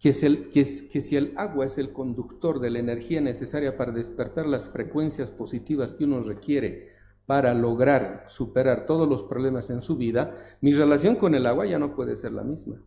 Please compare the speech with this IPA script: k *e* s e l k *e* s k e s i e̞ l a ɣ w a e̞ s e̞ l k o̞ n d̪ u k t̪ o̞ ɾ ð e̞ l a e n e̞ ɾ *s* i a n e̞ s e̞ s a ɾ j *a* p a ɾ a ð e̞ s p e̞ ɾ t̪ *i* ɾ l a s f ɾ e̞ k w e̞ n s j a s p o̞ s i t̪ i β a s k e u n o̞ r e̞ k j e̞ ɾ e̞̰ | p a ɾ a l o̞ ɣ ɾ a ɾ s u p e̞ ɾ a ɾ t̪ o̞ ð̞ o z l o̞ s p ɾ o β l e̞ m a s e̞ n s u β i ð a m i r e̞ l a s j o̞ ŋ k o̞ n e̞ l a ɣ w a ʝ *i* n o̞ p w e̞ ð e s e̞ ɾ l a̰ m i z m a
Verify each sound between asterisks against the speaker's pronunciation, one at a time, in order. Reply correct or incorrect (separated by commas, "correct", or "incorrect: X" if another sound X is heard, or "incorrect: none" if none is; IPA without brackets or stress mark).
correct, correct, incorrect: x, correct, incorrect: a, incorrect: a